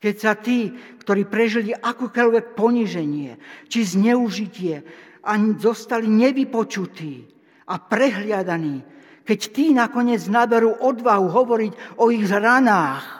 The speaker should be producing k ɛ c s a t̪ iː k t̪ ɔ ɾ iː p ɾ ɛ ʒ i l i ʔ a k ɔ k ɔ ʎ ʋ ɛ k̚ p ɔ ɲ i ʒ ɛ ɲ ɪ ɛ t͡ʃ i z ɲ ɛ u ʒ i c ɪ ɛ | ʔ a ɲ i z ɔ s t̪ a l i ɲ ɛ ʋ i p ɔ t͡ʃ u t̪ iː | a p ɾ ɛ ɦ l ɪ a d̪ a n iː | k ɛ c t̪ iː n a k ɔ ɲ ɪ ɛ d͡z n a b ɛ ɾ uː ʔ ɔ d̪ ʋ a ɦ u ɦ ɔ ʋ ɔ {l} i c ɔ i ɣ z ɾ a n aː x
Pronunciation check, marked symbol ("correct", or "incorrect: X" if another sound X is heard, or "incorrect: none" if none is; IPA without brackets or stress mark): incorrect: ɾ